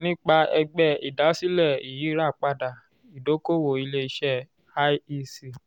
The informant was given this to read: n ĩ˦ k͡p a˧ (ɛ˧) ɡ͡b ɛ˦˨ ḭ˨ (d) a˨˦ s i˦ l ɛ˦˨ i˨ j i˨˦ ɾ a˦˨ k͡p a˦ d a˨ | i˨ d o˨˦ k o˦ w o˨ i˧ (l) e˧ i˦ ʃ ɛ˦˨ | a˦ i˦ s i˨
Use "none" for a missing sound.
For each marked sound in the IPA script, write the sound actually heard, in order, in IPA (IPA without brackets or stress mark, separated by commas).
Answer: ɛ˧, d, l